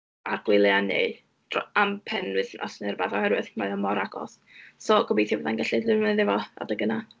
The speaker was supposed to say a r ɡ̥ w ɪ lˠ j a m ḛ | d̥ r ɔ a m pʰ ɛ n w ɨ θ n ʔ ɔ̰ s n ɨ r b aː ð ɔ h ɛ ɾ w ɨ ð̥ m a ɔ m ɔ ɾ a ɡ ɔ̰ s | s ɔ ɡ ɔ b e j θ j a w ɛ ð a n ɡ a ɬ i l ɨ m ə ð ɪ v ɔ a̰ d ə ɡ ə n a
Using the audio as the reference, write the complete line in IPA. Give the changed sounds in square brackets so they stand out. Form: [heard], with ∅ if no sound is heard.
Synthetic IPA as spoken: a r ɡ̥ w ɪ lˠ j a [n] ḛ | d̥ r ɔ a m pʰ ɛ n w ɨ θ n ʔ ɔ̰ s n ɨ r b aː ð ɔ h ɛ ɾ w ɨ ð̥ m a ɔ m ɔ ɾ a ɡ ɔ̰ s | s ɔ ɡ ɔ b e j θ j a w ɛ ð a n ɡ a ɬ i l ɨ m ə ð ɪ v ɔ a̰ d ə ɡ ə n a